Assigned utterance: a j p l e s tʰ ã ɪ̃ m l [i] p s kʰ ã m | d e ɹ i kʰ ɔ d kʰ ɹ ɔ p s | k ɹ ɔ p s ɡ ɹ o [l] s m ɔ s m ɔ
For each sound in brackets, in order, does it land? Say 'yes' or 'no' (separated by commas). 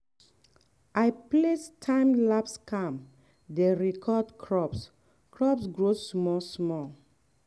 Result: no, no